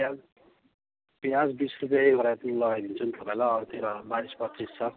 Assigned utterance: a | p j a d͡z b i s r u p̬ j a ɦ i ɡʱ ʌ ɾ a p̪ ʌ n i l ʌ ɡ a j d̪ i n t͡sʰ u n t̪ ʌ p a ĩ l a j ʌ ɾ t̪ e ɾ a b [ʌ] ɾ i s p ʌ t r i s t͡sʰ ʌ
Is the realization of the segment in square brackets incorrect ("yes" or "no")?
yes